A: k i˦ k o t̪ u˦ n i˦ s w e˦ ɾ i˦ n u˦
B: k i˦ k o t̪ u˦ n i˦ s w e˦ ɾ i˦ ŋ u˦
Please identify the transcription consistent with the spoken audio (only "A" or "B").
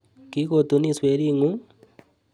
B